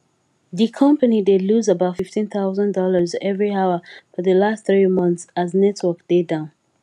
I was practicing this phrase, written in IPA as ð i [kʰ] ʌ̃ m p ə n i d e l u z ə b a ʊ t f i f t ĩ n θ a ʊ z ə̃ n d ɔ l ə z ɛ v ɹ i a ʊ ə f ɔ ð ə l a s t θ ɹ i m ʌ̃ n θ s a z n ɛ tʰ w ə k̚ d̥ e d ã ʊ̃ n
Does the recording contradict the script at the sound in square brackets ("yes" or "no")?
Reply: no